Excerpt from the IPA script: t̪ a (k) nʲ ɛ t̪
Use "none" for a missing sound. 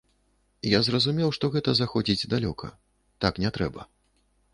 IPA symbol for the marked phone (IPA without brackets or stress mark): k